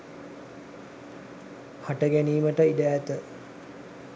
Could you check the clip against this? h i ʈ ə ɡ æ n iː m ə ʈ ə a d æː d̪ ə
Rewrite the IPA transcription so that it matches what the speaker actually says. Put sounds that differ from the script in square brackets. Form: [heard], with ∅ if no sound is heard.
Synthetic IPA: h [a] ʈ ə ɡ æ n iː m ə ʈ ə [i] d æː [t̪] ə